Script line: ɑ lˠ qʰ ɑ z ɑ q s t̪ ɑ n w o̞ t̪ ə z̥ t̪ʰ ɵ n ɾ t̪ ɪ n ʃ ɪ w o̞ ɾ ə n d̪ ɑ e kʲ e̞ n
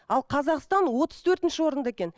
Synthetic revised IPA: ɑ lˠ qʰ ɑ z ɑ q s t̪ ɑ n w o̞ t̪ ə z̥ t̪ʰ ɵ ɾ t̪ ɪ n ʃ ɪ w o̞ ɾ ə n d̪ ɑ e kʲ e̞ n